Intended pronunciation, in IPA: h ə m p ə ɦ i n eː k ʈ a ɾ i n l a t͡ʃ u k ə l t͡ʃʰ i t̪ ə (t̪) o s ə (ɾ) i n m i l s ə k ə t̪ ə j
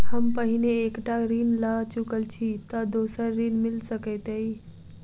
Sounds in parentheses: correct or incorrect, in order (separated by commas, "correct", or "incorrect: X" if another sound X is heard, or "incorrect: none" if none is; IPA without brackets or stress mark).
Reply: incorrect: d̪, incorrect: ɾː